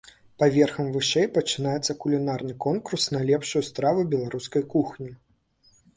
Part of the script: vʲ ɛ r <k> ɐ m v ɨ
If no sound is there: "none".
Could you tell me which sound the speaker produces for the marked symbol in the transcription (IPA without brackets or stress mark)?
x